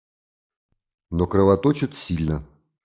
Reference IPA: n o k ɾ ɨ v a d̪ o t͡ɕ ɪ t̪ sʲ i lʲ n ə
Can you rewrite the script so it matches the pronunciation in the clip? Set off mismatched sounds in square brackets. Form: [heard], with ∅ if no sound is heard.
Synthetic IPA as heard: n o k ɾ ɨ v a [t̪] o t͡ɕ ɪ t̪ sʲ i lʲ n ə